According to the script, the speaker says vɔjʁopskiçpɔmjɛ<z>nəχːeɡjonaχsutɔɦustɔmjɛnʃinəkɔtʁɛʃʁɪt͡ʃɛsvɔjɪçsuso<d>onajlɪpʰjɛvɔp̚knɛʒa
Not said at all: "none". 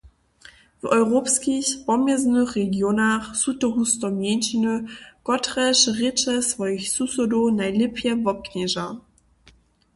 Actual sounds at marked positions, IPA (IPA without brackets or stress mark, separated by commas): z, d